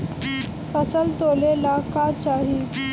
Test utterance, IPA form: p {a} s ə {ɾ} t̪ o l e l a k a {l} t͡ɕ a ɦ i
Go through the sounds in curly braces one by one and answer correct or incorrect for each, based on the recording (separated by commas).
incorrect, incorrect, incorrect